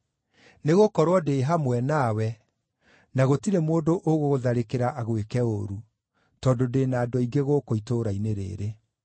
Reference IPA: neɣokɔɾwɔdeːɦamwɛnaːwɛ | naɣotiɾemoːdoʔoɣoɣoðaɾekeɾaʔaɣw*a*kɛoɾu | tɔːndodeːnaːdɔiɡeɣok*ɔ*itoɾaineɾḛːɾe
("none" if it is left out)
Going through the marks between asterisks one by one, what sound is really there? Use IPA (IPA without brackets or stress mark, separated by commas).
e, o